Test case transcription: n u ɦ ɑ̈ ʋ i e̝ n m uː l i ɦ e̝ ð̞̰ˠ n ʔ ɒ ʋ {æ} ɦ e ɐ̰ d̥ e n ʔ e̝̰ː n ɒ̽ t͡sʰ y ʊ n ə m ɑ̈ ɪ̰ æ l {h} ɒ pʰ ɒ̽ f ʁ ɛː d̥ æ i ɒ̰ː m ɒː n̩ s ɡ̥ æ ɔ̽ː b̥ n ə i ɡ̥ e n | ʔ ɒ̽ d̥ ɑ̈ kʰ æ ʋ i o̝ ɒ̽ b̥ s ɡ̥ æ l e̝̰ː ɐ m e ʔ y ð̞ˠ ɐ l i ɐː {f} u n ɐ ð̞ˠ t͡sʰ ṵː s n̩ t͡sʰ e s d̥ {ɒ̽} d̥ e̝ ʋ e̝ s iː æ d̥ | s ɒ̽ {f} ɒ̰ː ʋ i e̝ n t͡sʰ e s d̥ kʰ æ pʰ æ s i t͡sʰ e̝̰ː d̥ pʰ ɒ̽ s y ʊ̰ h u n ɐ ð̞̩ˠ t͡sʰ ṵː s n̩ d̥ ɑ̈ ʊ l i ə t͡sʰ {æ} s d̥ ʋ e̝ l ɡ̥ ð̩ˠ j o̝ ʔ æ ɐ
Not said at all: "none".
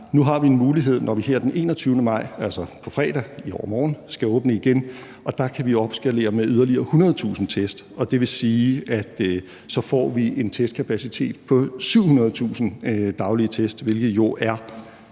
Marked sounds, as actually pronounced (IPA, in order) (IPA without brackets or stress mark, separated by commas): i, s, h, ɒ̽, f, e